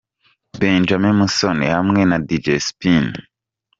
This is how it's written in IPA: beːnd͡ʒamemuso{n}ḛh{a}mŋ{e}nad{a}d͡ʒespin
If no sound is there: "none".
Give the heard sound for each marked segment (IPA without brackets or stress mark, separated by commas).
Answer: n, a, e, i